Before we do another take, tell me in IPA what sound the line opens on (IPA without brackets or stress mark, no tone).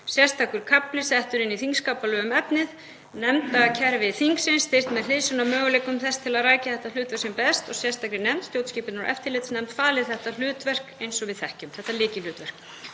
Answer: s